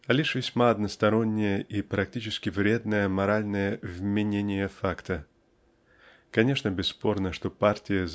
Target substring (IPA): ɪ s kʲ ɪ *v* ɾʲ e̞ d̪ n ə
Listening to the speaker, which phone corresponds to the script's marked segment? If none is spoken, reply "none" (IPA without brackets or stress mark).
v